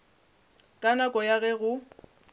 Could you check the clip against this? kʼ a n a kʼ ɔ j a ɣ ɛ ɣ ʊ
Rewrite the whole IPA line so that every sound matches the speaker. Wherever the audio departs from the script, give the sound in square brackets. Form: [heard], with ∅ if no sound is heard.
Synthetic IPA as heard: kʼ a n a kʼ ɔ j a ɣ ɛ ɣ ʊ